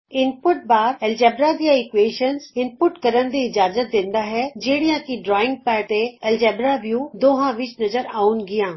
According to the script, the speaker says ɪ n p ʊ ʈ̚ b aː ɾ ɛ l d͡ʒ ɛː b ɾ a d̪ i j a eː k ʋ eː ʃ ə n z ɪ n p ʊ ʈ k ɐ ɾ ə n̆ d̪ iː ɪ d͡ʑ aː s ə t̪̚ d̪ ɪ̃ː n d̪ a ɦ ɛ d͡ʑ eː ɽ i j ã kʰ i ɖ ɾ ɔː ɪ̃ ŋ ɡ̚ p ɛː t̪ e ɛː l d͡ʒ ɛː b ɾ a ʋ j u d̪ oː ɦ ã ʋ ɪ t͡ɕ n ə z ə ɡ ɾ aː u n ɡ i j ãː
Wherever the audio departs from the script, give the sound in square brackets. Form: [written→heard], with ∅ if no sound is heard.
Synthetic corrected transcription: ɪ n p ʊ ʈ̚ b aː ɾ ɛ l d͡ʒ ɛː b ɾ a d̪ i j a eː k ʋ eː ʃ ə n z ɪ n p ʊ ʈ k ɐ ɾ ə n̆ d̪ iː ɪ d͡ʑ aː [s→z] ə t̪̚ d̪ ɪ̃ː n d̪ a ɦ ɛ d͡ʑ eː ɽ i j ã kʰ i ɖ ɾ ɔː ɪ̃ ŋ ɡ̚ p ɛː t̪ e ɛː l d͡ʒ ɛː b ɾ a ʋ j u d̪ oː ɦ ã ʋ ɪ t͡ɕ n [ə→ɐ] z ə [ɡ→∅] ɾ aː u n ɡ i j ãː